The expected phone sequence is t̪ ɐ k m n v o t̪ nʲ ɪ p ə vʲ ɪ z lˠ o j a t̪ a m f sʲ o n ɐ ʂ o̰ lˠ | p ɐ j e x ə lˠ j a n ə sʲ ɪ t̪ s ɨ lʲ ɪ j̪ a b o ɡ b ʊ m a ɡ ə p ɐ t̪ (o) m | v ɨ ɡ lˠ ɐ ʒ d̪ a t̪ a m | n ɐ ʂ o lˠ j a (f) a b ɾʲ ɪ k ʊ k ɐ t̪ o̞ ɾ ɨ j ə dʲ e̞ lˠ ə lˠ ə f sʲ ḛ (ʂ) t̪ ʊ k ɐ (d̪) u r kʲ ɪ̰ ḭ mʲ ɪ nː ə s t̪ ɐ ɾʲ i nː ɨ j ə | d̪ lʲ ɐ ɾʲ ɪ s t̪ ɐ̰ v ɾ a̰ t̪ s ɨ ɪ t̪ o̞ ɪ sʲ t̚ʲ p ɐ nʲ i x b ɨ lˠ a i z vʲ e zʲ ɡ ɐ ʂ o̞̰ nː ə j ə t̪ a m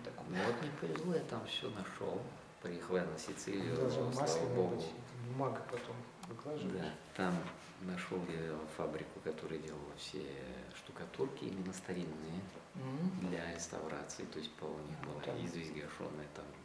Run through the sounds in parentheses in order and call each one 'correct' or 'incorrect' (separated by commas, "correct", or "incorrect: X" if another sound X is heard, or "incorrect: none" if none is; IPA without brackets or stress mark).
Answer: correct, correct, correct, incorrect: t̪